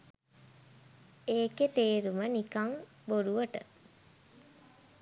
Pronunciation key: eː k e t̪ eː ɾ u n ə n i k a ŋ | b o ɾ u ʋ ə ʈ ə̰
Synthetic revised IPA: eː k e t̪ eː ɾ u m ə n i k a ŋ | b o ɾ u ʋ ə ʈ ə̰